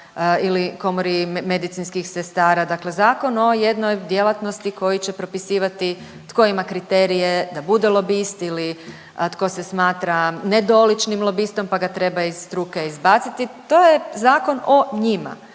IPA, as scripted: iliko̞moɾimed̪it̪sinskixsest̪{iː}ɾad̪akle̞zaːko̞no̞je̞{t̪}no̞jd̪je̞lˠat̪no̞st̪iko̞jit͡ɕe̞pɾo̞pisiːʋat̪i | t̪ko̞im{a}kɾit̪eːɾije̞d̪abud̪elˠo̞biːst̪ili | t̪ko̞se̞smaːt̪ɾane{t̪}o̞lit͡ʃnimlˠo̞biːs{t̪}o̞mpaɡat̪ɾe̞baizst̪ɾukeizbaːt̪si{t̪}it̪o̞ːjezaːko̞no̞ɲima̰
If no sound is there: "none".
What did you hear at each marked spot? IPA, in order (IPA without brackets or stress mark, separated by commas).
aː, d̪, a, d̪, t̪, t̪